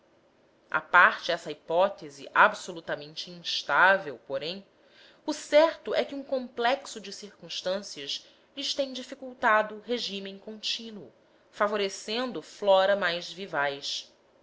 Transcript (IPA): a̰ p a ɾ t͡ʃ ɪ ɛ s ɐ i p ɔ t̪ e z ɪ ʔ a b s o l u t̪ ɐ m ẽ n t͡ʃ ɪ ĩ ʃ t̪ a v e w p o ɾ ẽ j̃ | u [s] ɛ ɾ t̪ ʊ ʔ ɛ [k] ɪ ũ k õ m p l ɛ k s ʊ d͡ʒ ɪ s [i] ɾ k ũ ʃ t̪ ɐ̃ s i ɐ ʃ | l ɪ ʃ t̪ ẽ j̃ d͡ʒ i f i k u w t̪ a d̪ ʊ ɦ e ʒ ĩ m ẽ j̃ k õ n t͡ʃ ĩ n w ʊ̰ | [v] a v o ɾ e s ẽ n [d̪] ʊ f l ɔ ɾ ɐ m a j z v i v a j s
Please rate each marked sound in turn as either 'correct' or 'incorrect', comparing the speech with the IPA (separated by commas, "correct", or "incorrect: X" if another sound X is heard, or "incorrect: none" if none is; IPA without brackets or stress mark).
correct, correct, correct, incorrect: f, correct